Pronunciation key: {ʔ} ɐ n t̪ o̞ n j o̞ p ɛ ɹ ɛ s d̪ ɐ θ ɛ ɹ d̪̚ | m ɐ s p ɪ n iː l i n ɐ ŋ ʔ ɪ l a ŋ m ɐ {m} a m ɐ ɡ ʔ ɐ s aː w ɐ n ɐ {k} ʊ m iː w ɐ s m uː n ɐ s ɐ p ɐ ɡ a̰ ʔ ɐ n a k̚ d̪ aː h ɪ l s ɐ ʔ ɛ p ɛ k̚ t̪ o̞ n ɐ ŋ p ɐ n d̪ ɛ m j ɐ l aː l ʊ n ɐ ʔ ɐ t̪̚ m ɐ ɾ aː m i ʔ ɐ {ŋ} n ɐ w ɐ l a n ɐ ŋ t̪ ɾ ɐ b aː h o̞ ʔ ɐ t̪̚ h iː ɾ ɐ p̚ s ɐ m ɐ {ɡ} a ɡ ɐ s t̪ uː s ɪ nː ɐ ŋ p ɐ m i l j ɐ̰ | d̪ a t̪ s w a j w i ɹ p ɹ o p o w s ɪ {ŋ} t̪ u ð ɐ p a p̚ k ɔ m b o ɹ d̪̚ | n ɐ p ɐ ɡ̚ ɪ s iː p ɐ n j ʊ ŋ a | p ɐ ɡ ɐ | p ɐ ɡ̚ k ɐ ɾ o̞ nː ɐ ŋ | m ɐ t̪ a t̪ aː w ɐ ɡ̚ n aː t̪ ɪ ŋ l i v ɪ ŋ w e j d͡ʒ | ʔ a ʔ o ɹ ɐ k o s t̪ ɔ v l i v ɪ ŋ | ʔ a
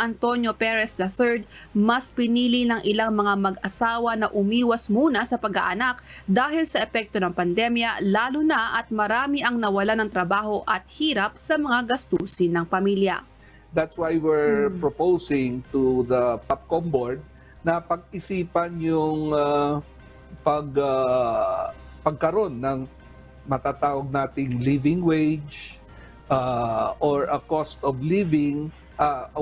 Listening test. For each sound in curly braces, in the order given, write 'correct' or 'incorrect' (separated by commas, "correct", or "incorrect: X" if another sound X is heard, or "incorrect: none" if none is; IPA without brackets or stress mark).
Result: correct, incorrect: ŋ, incorrect: ʔ, correct, incorrect: ŋ, correct